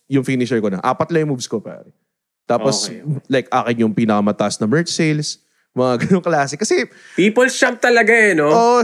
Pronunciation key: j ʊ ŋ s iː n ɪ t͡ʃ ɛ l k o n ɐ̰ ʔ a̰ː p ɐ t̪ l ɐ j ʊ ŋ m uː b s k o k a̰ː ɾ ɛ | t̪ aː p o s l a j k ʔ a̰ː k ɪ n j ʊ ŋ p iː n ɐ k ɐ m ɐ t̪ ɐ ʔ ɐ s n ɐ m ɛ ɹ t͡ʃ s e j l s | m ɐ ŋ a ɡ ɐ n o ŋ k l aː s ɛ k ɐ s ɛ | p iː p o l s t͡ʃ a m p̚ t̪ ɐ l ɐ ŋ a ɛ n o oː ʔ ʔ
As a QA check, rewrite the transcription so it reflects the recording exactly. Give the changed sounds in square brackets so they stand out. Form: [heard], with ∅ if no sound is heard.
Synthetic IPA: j ʊ ŋ [f] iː n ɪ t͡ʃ ɛ [ɹ] k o n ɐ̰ ʔ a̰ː p ɐ t̪ l ɐ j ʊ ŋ m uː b s k o [p] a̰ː ɾ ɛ | t̪ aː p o s l a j k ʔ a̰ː k ɪ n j ʊ ŋ p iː n ɐ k ɐ m ɐ t̪ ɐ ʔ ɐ s n ɐ m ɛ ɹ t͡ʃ s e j l s | m ɐ ŋ a ɡ ɐ n o ŋ k l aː s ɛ k ɐ s ɛ | p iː p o l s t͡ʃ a m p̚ t̪ ɐ l ɐ [ɡ] a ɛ n o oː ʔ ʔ